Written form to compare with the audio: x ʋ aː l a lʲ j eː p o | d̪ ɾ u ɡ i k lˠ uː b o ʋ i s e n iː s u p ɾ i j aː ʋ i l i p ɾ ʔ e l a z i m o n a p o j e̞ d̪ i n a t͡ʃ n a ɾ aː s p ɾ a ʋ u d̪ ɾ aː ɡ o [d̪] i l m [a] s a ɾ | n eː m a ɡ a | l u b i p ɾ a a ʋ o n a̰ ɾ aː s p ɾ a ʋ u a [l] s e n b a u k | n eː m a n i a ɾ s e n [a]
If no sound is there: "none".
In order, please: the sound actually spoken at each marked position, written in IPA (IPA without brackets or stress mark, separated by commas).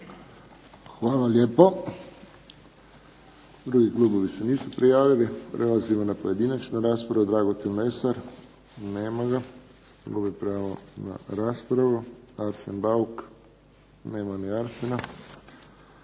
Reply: t̪, e, ɾ, a